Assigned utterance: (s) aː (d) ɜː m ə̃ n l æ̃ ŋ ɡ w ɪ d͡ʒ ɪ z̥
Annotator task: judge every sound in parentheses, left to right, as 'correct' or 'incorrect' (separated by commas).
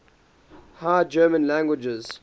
incorrect, incorrect